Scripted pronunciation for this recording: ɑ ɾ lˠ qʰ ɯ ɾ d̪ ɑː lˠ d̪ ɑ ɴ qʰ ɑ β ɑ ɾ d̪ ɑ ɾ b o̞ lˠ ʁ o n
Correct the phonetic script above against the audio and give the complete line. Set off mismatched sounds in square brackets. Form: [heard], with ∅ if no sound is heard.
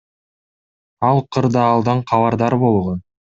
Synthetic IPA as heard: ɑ [∅] lˠ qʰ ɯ ɾ d̪ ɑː lˠ d̪ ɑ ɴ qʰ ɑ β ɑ ɾ d̪ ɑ ɾ b o̞ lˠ ʁ o n